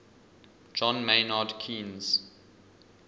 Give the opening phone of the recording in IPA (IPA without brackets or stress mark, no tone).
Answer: d͡ʒ